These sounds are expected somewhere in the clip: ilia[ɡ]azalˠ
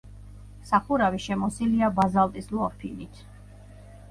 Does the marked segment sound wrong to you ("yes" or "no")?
yes